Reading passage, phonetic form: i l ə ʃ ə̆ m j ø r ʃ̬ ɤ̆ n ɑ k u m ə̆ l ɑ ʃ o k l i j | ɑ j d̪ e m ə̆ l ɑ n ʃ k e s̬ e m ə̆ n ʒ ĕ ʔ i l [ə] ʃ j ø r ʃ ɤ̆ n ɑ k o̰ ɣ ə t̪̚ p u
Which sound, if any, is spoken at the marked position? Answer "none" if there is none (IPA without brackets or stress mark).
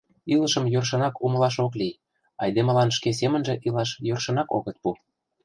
ɑ